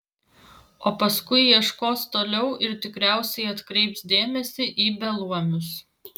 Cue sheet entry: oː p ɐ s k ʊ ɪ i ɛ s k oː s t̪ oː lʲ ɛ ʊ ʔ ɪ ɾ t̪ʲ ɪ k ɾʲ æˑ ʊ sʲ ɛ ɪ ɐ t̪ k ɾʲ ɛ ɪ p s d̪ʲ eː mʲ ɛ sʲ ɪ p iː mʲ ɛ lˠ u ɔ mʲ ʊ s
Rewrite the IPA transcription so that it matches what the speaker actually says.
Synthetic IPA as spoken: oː p ɐ s k ʊ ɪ i ɛ ʃ k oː s t̪ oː lʲ ɛ ʊ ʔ ɪ ɾ t̪ʲ ɪ k ɾʲ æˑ ʊ sʲ ɛ ɪ ɐ t̪ k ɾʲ ɛ ɪ p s d̪ʲ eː mʲ ɛ sʲ ɪ ʔ iː bʲ ɛ lˠ u ɔ mʲ ʊ s